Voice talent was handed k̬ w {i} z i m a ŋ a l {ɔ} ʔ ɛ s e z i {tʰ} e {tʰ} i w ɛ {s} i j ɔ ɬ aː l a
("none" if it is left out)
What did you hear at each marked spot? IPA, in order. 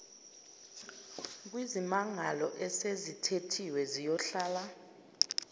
i, ɔ, tʰ, tʰ, z

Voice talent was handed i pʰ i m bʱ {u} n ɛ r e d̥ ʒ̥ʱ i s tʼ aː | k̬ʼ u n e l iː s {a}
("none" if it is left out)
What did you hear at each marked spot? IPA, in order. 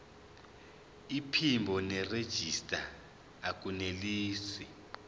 ɔ, i

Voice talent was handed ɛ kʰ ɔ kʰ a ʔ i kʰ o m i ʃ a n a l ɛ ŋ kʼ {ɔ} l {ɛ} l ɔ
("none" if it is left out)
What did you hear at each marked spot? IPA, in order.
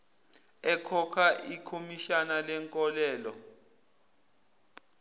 ɔ, ɛː

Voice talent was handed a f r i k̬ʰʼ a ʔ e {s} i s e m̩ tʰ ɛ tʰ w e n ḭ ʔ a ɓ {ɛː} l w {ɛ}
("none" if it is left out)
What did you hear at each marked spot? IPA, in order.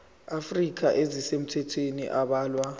z, aː, a

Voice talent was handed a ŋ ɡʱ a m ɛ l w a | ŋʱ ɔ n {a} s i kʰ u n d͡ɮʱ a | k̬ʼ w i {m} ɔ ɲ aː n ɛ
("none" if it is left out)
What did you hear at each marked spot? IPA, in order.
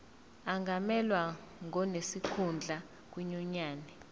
e, ɲ

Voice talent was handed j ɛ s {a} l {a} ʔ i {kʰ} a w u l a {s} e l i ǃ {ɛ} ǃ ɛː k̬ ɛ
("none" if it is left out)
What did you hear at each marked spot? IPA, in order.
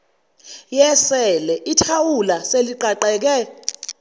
ɛ, ɛ, tʰ, s, a

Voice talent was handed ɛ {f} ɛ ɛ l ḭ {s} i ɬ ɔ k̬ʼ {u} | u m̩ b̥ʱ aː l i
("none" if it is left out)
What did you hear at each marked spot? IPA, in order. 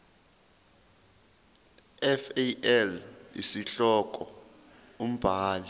f, s, ɔ

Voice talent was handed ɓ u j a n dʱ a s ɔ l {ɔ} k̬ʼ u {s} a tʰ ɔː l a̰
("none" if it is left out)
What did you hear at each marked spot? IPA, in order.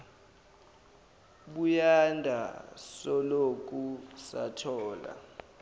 o, s

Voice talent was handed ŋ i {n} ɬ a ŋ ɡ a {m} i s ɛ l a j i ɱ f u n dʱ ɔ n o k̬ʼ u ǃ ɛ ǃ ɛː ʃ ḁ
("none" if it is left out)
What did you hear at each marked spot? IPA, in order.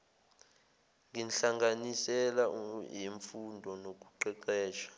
n, n

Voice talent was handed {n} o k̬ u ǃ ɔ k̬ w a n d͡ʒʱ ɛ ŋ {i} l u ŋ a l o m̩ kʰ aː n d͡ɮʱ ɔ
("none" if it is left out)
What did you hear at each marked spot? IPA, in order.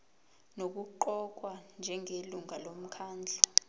n, e

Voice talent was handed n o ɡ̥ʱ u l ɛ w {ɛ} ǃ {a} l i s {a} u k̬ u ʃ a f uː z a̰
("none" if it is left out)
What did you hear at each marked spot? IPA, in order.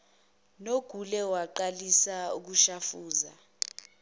a, a, a

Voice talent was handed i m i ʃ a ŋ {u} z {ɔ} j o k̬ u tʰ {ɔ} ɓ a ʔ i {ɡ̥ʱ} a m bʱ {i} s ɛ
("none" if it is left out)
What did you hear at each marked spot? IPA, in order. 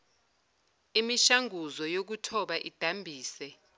u, ɔ, ɔ, d̥ʱ, iː

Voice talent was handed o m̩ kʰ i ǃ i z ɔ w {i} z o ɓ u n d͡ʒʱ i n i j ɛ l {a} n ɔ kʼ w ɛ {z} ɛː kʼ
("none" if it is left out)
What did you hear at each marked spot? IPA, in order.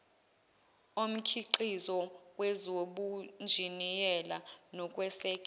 ɛ, a, s

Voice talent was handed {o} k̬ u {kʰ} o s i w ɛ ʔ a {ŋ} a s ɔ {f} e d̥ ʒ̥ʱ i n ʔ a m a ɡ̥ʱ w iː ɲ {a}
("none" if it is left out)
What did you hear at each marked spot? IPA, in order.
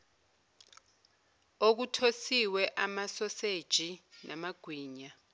o, tʰ, m, s, a

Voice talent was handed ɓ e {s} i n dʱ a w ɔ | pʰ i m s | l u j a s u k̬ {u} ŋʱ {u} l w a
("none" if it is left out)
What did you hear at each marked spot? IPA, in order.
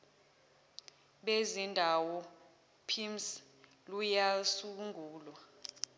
z, u, uː

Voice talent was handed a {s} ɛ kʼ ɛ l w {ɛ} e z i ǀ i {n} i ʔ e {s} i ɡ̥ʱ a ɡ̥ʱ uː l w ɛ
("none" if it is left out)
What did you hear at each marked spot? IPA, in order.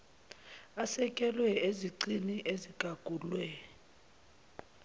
s, ɛ, n, z

